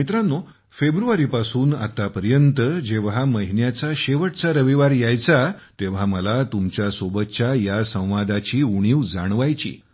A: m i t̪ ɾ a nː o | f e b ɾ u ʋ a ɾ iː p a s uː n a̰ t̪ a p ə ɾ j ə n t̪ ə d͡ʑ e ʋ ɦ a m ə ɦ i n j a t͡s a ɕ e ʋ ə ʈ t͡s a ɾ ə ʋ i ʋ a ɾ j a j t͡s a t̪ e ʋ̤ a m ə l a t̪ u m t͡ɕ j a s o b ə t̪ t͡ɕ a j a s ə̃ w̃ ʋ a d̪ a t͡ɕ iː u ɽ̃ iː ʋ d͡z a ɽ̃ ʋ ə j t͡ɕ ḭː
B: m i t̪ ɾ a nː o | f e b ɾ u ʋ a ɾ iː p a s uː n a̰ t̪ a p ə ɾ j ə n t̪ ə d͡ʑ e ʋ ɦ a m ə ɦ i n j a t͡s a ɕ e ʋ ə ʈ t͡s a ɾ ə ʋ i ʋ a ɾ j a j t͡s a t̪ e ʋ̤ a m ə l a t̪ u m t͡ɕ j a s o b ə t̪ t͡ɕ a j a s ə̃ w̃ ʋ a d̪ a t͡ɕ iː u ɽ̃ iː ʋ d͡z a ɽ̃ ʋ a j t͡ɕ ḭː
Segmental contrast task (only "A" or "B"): B